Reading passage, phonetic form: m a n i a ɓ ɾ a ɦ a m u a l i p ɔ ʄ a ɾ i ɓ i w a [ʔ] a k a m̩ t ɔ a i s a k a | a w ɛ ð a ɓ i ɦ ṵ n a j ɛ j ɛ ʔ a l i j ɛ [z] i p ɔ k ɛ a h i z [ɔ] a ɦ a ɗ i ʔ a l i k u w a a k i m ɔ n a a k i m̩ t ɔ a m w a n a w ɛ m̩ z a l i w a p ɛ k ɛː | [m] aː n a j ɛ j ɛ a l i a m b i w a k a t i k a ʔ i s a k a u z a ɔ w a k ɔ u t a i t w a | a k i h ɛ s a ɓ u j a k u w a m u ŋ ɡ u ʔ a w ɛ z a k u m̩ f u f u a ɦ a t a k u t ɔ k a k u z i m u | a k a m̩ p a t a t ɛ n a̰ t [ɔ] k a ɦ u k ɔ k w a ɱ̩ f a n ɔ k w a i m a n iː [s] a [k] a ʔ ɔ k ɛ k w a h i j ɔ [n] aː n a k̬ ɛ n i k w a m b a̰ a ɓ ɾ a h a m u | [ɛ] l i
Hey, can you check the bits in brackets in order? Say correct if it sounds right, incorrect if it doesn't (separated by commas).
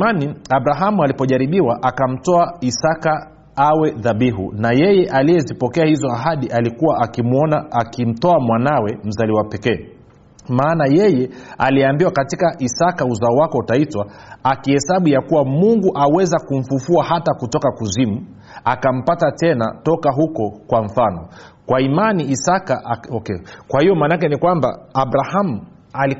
correct, correct, correct, correct, correct, correct, correct, incorrect, incorrect